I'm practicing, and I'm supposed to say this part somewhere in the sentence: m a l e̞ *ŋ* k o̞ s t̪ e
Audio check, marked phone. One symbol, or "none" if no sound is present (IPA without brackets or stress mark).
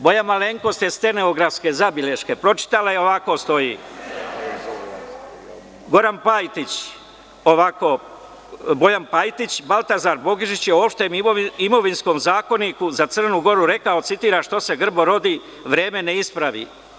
ŋ